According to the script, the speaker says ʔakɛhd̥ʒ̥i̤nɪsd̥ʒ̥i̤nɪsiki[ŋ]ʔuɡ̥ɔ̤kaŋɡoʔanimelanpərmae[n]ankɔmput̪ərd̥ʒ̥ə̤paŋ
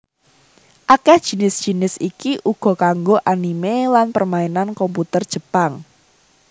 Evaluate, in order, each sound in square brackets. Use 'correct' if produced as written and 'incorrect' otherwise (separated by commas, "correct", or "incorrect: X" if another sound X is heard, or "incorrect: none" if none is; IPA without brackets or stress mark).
incorrect: none, correct